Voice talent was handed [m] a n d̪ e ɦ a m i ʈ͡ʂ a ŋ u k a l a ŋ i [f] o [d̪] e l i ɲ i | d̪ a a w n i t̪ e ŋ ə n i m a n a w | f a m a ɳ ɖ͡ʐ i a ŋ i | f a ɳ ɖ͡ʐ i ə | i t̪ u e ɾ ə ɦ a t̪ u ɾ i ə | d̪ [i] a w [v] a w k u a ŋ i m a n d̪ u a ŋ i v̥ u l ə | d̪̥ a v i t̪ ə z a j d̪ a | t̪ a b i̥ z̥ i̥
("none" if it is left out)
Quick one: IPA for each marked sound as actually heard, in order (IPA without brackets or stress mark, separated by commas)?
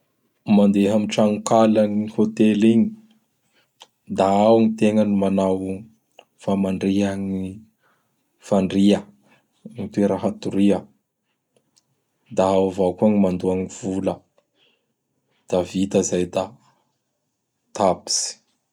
m, h, t̪, a, v